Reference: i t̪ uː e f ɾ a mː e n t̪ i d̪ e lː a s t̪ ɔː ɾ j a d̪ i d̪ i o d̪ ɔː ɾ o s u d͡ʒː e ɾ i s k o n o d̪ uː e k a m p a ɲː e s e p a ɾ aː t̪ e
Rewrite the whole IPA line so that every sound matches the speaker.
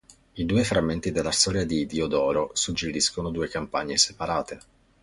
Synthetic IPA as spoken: i d̪ uː e f ɾ a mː e n t̪ i d̪ e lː a s t̪ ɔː ɾ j a d̪ i d̪ i o d̪ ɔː ɾ o s u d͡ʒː e ɾ i s k o n o d̪ uː e k a m p a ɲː e s e p a ɾ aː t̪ e